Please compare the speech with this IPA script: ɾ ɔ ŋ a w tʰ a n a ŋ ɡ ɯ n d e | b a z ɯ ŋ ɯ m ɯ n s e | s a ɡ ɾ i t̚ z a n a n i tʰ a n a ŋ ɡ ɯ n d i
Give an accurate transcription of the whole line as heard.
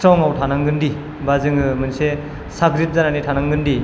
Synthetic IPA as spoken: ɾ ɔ ŋ a w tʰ a n a ŋ ɡ ɯ n d i | b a z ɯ ŋ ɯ m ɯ n s e | s a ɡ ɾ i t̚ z a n a n i tʰ a n a ŋ ɡ ɯ n d i